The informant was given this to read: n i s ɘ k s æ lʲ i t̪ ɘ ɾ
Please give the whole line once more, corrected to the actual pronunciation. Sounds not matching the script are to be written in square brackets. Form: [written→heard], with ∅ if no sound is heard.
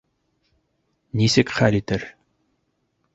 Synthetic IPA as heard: n i s ɘ k [s→χ] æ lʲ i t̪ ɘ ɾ